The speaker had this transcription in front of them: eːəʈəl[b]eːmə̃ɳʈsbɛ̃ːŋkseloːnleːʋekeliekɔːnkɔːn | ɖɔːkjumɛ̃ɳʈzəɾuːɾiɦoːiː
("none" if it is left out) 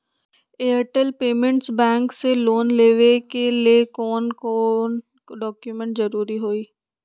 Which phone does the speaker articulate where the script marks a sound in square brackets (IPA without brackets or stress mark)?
p